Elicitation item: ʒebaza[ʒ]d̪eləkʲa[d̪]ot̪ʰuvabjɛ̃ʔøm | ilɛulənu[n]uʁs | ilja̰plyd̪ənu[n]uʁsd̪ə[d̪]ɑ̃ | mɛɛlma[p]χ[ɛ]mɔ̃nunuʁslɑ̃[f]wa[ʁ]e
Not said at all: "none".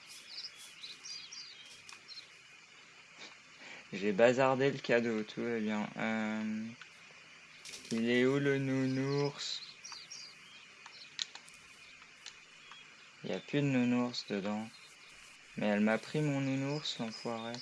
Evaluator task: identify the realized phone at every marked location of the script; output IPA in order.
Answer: ʁ, d̪, n, n, d̪, p, i, f, ʁ

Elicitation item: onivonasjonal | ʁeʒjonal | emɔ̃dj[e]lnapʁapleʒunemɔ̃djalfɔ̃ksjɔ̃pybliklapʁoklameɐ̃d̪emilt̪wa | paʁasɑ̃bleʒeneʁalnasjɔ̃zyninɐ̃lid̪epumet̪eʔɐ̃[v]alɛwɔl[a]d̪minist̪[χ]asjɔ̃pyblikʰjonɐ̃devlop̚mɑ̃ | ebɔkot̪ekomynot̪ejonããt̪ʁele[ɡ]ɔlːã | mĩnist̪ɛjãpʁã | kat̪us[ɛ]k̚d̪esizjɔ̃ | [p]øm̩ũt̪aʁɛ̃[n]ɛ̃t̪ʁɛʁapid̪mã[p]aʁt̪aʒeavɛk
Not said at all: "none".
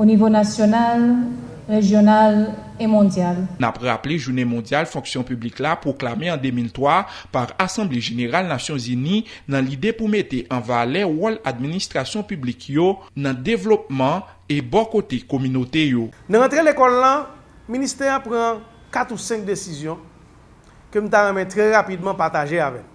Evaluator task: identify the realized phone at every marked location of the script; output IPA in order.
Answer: a, v, a, ʁ, k, ɛ̃, k, m, p

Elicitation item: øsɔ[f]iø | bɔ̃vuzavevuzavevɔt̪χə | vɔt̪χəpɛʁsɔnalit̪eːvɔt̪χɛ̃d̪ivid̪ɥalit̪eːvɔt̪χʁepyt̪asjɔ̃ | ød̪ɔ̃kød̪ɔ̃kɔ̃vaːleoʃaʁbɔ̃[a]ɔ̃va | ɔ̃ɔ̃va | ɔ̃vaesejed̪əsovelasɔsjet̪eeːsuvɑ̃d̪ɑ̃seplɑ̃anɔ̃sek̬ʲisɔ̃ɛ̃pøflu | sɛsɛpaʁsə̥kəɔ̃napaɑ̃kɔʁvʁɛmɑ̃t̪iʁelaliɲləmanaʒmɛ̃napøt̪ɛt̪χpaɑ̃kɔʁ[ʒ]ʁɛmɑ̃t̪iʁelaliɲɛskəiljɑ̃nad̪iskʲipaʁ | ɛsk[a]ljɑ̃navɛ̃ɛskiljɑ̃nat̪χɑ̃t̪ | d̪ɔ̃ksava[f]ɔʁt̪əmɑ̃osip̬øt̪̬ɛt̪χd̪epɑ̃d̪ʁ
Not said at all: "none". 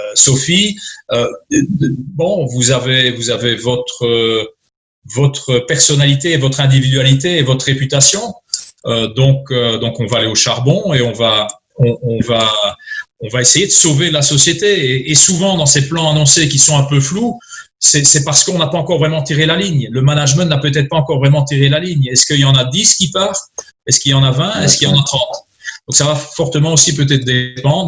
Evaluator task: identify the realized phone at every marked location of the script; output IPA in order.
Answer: f, e, v, i, f

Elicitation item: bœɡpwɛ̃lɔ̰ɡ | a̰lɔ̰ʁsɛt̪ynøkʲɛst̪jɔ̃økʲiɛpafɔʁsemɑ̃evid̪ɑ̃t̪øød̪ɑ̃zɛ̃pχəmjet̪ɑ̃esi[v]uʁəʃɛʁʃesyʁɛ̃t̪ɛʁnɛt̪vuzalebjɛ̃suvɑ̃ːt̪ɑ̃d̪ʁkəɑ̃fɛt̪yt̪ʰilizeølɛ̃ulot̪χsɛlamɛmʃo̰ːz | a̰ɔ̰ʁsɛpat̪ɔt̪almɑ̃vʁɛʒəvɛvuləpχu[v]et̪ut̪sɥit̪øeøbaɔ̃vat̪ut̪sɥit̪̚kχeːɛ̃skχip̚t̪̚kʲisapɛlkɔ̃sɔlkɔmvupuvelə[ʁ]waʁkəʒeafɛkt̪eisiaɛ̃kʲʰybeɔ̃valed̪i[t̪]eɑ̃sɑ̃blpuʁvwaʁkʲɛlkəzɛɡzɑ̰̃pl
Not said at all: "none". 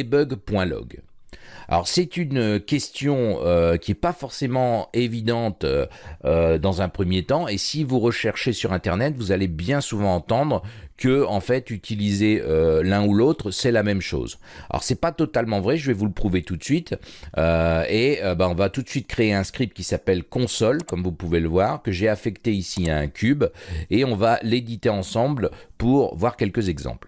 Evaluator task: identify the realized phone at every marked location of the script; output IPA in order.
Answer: v, v, v, t̪

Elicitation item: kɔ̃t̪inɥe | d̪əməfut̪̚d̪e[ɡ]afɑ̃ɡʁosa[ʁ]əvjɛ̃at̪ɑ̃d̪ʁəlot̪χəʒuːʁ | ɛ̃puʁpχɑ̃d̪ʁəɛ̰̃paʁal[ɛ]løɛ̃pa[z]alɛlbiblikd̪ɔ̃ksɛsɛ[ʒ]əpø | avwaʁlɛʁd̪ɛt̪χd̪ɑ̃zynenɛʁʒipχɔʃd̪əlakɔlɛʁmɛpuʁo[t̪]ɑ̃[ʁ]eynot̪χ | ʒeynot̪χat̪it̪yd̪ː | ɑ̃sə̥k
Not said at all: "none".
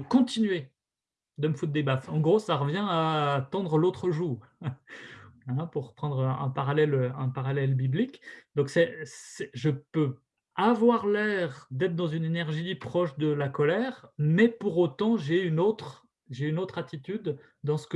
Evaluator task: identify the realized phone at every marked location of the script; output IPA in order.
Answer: b, ʁ, ɛ, ʁ, ʒ, t̪, ʒ

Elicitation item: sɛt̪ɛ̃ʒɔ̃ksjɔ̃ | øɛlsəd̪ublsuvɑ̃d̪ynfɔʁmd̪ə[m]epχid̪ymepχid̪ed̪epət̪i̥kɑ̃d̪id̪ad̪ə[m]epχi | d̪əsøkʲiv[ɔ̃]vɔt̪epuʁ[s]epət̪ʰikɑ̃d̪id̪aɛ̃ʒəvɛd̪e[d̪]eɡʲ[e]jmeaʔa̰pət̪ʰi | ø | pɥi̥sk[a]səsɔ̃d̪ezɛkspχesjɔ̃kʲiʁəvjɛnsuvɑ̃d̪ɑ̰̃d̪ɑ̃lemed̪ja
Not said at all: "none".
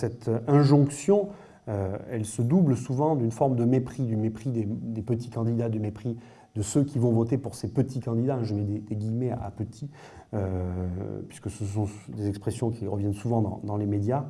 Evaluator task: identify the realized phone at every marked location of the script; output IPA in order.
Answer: m, m, ɔ̃, s, d̪, i, ə

